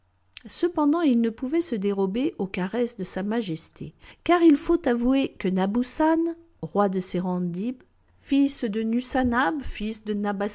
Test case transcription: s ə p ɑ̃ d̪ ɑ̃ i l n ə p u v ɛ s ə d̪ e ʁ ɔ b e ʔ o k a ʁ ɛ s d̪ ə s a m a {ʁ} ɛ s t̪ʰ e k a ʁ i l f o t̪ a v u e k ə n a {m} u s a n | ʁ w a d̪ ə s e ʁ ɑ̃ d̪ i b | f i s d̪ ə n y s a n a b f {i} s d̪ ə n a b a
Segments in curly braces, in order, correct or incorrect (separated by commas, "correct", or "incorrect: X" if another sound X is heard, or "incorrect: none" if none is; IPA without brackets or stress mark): incorrect: ʒ, incorrect: b, correct